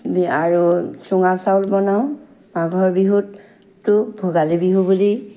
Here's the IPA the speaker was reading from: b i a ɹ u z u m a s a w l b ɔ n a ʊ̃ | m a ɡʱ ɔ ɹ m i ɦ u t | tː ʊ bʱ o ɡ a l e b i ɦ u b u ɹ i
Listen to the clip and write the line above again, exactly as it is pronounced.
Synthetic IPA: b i a ɹ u s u ŋ a s a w l b ɔ n a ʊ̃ | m a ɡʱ ɔ ɹ b i ɦ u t | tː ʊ bʱ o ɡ a l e b i ɦ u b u l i